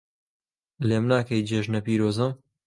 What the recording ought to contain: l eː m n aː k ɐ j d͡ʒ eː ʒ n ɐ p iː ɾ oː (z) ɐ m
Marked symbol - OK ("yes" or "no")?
yes